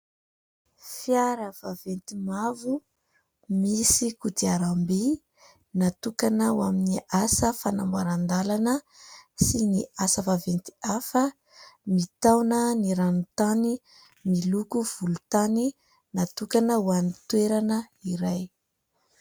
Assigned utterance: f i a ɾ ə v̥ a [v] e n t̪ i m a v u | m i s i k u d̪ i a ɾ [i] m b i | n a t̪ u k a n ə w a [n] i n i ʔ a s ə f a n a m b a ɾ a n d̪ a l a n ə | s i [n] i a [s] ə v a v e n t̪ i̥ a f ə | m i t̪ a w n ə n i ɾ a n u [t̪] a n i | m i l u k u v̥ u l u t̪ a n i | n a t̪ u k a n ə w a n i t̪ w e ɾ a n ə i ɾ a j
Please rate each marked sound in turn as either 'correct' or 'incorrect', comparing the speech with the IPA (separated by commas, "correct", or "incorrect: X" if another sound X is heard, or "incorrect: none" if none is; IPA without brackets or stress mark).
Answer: correct, incorrect: a, incorrect: m, correct, correct, correct